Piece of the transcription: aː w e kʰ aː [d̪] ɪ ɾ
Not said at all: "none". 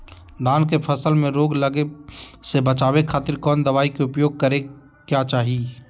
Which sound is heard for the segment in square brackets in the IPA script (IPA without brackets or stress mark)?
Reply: t̪